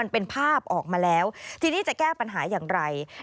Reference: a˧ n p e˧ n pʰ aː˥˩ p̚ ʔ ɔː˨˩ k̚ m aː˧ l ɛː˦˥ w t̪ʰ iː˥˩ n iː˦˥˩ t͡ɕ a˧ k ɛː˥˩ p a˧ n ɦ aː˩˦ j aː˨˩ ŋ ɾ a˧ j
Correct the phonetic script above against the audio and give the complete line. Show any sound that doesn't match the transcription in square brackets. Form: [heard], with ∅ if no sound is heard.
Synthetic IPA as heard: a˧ n p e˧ n pʰ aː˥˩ p̚ ʔ ɔː˨˩ k̚ m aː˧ l ɛː˦˥ w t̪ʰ [iː˧] n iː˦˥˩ t͡ɕ [a˨˩] k ɛː˥˩ p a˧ n ɦ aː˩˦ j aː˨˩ ŋ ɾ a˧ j